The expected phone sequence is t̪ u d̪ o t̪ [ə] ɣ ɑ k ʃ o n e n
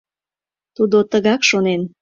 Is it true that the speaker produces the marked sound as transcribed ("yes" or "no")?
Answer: yes